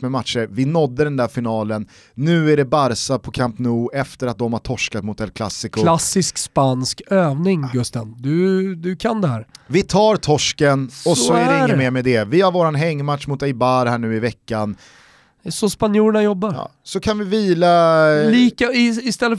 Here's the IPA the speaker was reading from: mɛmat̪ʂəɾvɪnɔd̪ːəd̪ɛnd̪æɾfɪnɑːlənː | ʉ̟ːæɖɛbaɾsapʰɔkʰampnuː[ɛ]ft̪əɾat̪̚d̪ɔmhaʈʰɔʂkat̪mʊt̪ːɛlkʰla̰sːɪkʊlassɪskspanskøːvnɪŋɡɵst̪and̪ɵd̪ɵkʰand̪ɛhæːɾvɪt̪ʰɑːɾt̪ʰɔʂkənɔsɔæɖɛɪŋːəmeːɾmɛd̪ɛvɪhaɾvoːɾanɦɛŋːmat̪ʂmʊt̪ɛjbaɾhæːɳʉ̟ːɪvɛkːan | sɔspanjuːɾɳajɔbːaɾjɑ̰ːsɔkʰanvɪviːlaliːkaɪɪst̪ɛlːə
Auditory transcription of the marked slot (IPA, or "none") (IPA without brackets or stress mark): ɛ